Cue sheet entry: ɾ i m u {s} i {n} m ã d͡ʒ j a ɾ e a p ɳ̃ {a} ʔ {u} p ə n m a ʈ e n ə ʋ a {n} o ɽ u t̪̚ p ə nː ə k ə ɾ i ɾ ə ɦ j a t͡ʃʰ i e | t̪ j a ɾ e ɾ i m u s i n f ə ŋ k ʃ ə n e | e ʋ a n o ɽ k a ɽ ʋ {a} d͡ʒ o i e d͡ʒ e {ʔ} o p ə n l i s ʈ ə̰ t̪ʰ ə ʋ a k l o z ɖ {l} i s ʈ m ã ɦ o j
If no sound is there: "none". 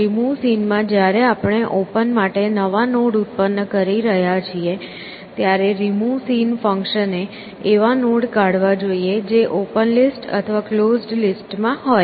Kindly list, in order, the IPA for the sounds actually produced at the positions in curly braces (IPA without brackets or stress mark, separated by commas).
s, n, e, o, n, a, ʔ, l